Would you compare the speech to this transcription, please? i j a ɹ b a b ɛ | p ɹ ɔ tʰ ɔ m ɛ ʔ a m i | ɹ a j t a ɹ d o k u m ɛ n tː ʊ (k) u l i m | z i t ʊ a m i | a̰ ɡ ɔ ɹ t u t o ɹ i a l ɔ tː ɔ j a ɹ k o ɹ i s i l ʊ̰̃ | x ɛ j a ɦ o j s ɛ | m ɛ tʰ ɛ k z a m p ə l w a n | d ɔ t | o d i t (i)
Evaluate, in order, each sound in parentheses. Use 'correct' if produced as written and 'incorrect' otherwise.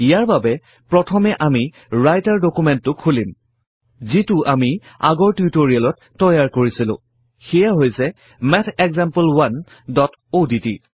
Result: incorrect: kʰ, correct

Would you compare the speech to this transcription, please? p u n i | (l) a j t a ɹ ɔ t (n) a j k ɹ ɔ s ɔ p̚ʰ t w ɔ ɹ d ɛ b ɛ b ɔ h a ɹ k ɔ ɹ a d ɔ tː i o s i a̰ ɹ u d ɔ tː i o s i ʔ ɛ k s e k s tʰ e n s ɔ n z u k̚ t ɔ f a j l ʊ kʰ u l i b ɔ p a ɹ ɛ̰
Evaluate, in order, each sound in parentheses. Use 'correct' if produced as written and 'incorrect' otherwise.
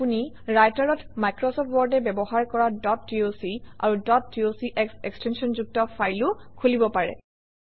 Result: incorrect: ɹ, incorrect: m

